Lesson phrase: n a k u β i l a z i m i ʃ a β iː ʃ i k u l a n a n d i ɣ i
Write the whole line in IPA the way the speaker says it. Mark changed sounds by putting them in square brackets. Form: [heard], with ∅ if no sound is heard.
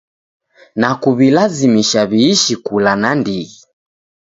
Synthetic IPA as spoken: n a k u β i l a z i m i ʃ a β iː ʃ i k u l a n a n d i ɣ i